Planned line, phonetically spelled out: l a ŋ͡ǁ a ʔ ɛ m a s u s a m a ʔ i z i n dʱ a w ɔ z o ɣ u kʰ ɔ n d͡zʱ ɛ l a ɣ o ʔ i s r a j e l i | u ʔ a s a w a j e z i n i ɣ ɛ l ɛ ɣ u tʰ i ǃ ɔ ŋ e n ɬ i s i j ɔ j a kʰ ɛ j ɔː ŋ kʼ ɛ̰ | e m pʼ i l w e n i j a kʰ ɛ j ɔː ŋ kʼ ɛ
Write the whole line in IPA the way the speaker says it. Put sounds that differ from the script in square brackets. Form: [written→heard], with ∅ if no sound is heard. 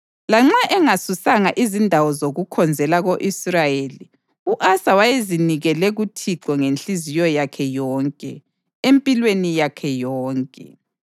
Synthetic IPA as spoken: l a ŋ͡ǁ a ʔ ɛ [m→ŋ] a s u s a [m→ŋ] a ʔ i z i n dʱ a w ɔ z o ɣ u kʰ ɔ n d͡zʱ ɛ l a ɣ o ʔ i s r a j e l i | u ʔ a s a w a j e z i n i ɣ ɛ l ɛ ɣ u tʰ i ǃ ɔ ŋ e n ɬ i [s→z] i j ɔ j a kʰ ɛ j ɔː ŋ kʼ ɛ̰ | e m pʼ i l w e n i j a kʰ ɛ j ɔː ŋ kʼ ɛ

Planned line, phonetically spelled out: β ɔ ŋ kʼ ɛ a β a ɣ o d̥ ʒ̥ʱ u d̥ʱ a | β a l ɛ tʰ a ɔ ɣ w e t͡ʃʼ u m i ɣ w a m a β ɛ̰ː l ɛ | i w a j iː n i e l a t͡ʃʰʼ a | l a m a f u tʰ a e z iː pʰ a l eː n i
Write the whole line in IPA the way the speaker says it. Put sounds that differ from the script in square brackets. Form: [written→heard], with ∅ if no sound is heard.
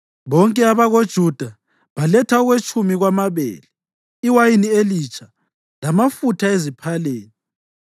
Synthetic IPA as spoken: β ɔ ŋ kʼ ɛ a β a ɣ o d̥ ʒ̥ʱ u d̥ʱ a | β a l ɛ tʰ a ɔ ɣ w e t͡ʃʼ u m i ɣ w a m a β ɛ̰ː l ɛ | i w a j [iː→i] n i e l [a→i] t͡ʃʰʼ a | l a m a f u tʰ a e z [iː→i] pʰ a l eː n i

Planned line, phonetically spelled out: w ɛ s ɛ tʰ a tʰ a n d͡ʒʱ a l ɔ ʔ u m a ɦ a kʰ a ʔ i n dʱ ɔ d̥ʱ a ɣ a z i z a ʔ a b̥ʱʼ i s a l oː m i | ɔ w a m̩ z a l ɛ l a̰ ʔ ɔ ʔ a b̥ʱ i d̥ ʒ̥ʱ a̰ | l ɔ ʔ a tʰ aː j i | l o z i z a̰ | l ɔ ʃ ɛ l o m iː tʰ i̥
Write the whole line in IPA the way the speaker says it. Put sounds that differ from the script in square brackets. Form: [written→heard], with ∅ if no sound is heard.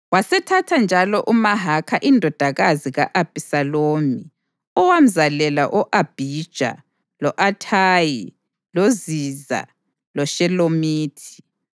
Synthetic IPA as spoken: w [ɛ→a] s ɛ tʰ a tʰ a n d͡ʒʱ a l ɔ ʔ u m a ɦ a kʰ a ʔ i n dʱ ɔ d̥ʱ a ɣ a z i [z→ɣ] a ʔ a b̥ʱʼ i s a l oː m i | ɔ w a m̩ z a l ɛ l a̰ ʔ ɔ ʔ a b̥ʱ i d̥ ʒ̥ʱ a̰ | l ɔ ʔ a tʰ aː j i | l o z i z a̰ | l ɔ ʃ ɛ l o m iː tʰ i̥

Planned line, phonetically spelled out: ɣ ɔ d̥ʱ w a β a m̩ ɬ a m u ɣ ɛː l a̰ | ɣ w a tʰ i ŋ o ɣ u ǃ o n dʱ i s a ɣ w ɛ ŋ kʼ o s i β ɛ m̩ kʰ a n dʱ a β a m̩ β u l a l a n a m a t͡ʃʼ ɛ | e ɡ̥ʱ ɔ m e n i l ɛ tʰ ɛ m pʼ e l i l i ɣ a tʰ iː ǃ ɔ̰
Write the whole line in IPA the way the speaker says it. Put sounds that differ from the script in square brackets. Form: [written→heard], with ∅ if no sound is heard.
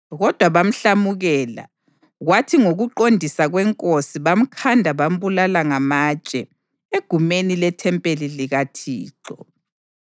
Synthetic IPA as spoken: ɣ ɔ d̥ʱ w a β a m̩ ɬ a m u ɣ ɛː l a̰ | ɣ w a tʰ i ŋ o ɣ u ǃ o n dʱ i s a ɣ w ɛ ŋ kʼ o s i β [ɛ→a] m̩ kʰ a n dʱ a β a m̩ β u l a l a [n→ŋ] a m a t͡ʃʼ ɛ | e ɡ̥ʱ [ɔ→u] m e n i l ɛ tʰ ɛ m pʼ e l i l i ɣ a tʰ iː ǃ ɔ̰

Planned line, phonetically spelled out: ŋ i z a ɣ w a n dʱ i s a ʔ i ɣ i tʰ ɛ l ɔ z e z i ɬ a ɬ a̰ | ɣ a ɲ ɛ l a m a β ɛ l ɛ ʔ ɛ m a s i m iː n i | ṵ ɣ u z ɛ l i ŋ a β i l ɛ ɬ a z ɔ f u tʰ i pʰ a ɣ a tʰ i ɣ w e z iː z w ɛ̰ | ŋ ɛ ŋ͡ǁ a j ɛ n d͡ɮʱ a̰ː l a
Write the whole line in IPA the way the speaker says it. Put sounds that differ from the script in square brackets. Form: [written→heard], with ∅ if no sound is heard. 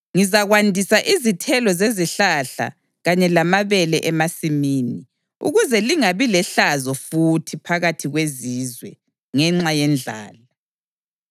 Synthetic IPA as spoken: ŋ i z a ɣ w a n dʱ i s a ʔ i [ɣ→z] i tʰ ɛ l ɔ z e z i ɬ a ɬ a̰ | ɣ a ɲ ɛ l a m a β ɛ l ɛ ʔ ɛ m a s i m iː n i | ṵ ɣ u z ɛ l i ŋ a β i l ɛ ɬ a z ɔ f u tʰ i pʰ a ɣ a tʰ i ɣ w e z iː z w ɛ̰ | ŋ ɛ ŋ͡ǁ a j ɛ n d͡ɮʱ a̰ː l a

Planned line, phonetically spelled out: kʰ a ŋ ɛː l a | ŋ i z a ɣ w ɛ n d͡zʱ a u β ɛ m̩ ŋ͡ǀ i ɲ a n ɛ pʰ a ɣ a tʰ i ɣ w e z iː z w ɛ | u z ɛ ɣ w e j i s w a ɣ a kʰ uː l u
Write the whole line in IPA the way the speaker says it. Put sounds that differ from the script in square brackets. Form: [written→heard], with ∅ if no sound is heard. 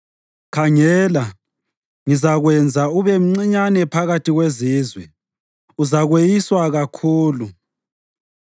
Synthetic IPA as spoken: kʰ a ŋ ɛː l a | ŋ i z a ɣ w ɛ n d͡zʱ a u β ɛ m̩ ŋ͡ǀ i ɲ a n ɛ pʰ a ɣ a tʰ i ɣ w e z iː z w ɛ | u z [ɛ→a] ɣ w e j i s w a ɣ a kʰ uː l u

